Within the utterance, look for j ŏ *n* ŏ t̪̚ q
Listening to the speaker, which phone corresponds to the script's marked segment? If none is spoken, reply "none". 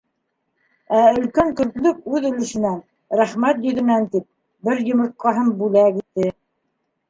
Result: m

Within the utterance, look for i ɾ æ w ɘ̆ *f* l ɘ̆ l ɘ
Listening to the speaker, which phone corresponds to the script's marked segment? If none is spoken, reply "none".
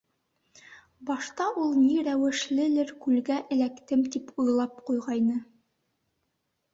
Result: ʃ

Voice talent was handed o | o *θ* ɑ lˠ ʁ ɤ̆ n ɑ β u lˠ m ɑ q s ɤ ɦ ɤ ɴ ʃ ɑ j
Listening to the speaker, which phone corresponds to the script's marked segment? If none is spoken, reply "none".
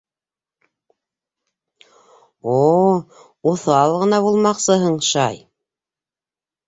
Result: θ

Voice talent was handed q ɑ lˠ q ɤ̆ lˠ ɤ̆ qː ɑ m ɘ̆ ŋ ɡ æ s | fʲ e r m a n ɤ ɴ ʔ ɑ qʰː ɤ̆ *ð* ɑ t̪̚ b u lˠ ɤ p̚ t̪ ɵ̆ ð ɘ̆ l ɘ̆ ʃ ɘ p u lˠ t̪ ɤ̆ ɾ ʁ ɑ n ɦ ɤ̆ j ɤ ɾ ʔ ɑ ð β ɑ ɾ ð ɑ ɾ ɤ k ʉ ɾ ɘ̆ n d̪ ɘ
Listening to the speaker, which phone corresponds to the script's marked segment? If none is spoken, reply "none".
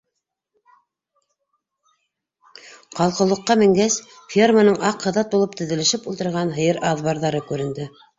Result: ð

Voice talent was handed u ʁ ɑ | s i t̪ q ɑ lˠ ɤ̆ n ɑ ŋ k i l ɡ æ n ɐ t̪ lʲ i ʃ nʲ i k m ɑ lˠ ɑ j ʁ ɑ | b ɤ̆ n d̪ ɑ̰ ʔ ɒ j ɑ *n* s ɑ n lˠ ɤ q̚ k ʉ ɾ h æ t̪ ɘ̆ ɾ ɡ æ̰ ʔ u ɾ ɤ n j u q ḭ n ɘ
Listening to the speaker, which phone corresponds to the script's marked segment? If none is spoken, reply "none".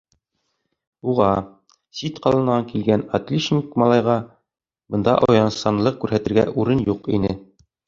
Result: n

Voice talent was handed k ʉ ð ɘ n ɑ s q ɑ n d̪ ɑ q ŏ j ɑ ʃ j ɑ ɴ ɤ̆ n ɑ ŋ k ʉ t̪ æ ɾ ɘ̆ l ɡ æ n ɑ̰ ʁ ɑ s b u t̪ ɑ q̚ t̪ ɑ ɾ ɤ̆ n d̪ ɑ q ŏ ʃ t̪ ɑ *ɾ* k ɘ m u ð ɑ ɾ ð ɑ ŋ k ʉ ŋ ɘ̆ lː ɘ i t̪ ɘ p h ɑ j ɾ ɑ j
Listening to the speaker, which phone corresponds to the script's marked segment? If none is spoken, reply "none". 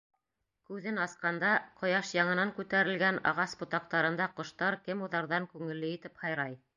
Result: ɾ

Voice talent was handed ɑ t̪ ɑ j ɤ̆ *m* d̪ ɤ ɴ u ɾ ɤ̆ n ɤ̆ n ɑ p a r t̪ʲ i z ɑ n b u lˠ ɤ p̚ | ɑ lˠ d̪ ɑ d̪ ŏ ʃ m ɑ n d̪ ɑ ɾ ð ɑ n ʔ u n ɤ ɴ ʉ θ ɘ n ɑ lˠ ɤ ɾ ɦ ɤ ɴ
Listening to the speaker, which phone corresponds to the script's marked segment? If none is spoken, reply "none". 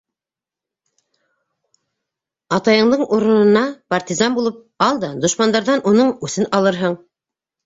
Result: ɴ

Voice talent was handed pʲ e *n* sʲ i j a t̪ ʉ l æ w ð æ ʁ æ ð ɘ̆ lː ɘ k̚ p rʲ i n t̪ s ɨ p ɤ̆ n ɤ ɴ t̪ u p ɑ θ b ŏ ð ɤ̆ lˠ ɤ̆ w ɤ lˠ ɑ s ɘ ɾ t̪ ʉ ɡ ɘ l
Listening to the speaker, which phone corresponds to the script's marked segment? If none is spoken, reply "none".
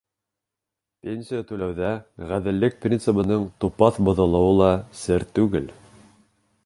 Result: n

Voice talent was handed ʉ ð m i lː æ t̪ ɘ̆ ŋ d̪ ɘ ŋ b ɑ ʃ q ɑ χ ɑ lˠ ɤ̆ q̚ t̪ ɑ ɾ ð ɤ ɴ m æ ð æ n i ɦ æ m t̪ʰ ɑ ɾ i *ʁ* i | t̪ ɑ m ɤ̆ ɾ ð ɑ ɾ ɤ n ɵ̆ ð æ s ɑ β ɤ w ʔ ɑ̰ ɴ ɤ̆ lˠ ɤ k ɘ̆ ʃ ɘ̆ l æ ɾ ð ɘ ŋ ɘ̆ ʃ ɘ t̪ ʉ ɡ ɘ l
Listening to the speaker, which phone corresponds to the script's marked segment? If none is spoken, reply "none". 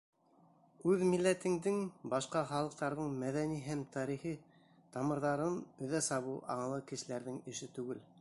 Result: χ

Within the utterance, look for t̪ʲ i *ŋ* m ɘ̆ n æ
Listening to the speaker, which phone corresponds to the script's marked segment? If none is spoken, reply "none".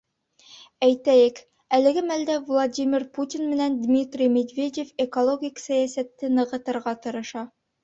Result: n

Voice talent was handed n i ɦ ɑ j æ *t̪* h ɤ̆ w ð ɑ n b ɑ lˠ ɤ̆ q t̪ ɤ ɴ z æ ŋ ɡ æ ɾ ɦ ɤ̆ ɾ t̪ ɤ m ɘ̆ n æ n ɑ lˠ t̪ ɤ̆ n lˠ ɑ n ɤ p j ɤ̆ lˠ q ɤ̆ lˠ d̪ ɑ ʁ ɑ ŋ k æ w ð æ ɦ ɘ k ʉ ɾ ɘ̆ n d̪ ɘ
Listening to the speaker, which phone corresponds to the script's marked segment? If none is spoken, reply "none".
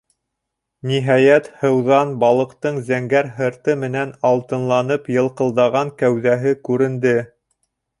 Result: t̪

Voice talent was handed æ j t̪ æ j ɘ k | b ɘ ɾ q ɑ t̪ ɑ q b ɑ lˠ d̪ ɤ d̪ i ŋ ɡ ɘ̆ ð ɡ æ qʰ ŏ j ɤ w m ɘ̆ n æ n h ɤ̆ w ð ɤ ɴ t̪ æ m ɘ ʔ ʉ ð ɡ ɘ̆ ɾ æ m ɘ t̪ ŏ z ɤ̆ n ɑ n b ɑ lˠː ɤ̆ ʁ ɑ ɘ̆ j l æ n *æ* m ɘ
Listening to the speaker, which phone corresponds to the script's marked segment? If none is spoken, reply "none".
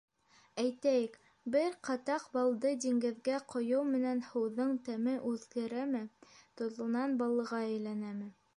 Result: æ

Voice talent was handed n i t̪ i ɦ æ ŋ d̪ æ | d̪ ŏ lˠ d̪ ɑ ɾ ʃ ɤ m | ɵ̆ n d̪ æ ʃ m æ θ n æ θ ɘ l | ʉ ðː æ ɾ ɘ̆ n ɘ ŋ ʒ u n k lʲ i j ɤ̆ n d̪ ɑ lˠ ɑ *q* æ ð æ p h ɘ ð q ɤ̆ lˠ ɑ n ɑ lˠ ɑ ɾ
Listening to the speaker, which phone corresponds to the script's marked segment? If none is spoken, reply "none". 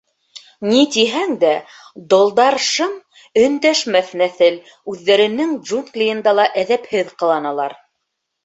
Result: ʔ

